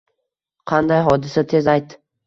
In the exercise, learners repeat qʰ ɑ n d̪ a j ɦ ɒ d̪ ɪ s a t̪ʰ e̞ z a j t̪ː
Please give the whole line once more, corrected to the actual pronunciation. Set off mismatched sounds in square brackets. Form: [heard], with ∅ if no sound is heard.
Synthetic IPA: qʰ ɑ n d̪ a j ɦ ɒ d̪ ɪ s a t̪ʰ e̞ z a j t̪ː